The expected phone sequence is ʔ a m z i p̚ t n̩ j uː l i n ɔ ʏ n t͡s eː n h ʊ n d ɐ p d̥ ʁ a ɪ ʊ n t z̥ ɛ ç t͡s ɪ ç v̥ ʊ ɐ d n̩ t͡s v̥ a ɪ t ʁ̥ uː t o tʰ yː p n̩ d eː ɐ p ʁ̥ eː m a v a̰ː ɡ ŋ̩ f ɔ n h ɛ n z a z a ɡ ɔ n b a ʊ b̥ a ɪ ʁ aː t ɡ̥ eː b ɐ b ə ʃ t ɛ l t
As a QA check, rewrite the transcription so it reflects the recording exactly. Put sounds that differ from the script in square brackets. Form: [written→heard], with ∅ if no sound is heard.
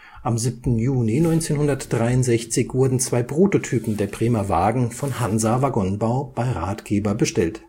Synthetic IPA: ʔ a m z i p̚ t n̩ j uː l i n ɔ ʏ n t͡s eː n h ʊ n d ɐ [p→t] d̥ ʁ a ɪ ʊ n t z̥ ɛ ç t͡s ɪ ç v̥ ʊ ɐ d n̩ t͡s v̥ a ɪ [t→p] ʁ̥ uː t o tʰ yː p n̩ d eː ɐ p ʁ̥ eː m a v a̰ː ɡ ŋ̩ f ɔ n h [ɛ→a] n z a [z→v] a ɡ ɔ n b a ʊ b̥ a ɪ ʁ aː t ɡ̥ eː b ɐ b ə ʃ t ɛ l t